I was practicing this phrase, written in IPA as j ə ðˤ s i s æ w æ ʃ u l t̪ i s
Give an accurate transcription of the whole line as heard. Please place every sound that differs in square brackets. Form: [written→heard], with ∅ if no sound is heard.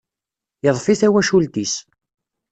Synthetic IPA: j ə ðˤ [s→f] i [s→θ] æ w æ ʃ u l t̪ i s